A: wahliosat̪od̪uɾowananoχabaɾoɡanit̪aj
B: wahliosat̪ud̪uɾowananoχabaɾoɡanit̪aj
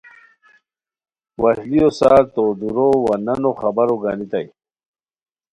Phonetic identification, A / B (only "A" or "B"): A